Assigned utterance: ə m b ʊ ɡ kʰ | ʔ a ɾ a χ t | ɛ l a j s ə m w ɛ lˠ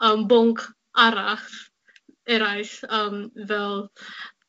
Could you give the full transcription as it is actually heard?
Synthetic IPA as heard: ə m b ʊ ŋ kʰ | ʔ a ɾ a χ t | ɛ ɾ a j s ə m v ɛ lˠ